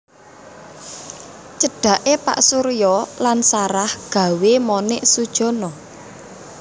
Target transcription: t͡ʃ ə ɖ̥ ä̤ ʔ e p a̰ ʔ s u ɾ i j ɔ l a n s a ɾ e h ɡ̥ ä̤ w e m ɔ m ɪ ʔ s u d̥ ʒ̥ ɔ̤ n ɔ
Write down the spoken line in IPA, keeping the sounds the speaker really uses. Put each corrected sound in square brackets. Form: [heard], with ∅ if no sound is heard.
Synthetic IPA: t͡ʃ ə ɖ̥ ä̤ ʔ e p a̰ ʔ s u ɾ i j ɔ l a n s a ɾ [a] h ɡ̥ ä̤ w e m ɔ [n] ɪ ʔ s u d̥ ʒ̥ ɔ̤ n ɔ

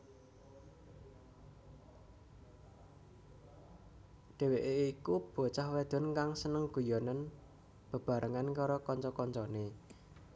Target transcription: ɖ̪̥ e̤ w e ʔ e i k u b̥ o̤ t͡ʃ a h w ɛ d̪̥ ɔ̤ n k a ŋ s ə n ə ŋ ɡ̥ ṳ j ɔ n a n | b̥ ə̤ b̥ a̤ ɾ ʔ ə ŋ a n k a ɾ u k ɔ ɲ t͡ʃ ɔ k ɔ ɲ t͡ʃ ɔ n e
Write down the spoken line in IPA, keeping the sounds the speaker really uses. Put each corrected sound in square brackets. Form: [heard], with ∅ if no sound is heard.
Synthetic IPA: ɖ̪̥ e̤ w e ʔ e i k u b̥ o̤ t͡ʃ a h w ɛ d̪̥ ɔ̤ n k a ŋ s ə n ə ŋ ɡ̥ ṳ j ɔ n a n | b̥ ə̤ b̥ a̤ ɾ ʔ ə ŋ a n k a ɾ [ɔ] k ɔ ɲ t͡ʃ ɔ k ɔ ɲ t͡ʃ ɔ n e

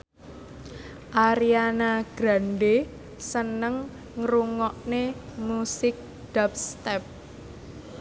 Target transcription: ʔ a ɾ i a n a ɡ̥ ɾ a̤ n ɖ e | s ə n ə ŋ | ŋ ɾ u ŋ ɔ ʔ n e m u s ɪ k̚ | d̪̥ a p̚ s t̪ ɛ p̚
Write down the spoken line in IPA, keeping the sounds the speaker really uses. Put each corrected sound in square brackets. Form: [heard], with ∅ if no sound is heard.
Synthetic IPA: ʔ a ɾ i a n a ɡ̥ ɾ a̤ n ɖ e | s ə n ə ŋ | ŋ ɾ u ŋ ɔ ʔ n e m u s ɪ k̚ | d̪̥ a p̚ s t̪ ɛ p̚

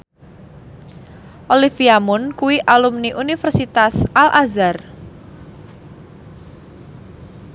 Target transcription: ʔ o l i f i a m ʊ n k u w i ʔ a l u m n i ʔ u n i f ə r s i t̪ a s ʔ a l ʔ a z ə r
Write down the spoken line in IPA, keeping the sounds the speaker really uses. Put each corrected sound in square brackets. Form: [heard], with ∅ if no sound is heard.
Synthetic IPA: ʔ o l i f i a m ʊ n k u w i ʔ a l u m n i ʔ u n i f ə r s i t̪ a s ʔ a l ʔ a z [a] r

